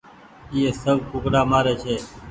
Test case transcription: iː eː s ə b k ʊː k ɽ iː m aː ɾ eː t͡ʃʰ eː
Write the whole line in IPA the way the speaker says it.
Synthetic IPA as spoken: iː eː s ə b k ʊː k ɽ aː m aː ɾ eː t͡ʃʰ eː